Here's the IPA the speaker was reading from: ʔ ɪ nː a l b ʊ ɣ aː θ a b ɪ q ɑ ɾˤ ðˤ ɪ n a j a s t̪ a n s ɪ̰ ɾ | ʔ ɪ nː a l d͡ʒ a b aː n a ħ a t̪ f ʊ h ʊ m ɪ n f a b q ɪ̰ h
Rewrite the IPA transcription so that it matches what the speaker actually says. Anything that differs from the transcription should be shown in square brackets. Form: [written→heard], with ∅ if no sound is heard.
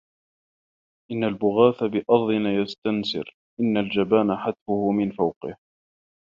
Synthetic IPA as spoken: ʔ ɪ nː a l b ʊ ɣ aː θ a b ɪ [q→ʔ] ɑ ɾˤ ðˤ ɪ n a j a s t̪ a n s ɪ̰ ɾ | ʔ ɪ nː a l d͡ʒ a b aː n a ħ a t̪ f ʊ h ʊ m ɪ n f a [b→w] q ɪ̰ h